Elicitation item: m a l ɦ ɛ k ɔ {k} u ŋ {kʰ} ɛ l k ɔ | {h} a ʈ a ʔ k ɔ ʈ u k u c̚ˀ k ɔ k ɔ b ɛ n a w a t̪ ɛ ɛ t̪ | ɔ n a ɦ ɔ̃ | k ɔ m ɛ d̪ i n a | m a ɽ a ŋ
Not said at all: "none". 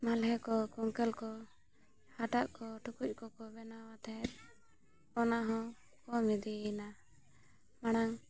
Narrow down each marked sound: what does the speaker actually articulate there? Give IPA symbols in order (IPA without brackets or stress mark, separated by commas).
k, k, h